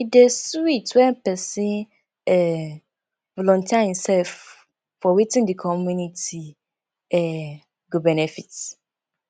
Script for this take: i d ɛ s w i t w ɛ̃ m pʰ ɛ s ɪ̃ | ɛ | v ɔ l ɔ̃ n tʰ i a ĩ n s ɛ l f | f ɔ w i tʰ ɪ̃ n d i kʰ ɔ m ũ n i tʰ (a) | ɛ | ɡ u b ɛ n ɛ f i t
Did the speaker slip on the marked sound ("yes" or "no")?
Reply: yes